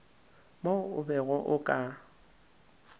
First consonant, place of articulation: labial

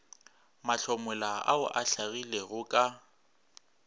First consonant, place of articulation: labial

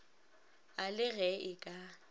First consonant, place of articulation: alveolar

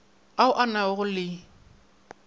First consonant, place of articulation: glottal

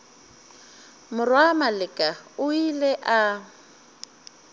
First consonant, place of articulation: labial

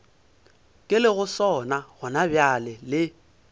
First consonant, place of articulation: velar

